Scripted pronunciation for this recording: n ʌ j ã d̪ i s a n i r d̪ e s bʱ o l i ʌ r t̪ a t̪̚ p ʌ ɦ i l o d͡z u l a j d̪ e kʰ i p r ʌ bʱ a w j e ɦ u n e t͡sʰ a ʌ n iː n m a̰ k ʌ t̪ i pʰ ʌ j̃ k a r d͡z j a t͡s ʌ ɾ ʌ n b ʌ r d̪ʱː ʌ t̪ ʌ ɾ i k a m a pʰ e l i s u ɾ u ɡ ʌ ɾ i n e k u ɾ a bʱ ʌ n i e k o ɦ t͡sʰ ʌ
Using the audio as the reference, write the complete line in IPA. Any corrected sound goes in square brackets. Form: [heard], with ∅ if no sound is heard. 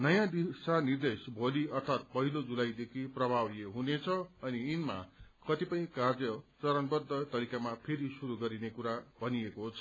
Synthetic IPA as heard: n ʌ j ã d̪ i s a n i r d̪ e s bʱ o l i ʌ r [t̪ʰ] a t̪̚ p ʌ ɦ i l o d͡z u l a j d̪ e kʰ i p r ʌ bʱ a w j e ɦ u n e t͡sʰ [ʌ] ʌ n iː n m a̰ k ʌ t̪ i [p] ʌ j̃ k a r d͡z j [ʌ] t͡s ʌ ɾ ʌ n b ʌ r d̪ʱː ʌ t̪ ʌ ɾ i k a m a pʰ e [ɾ] i s u ɾ u ɡ ʌ ɾ i n e k u ɾ a bʱ ʌ n i e k o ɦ t͡sʰ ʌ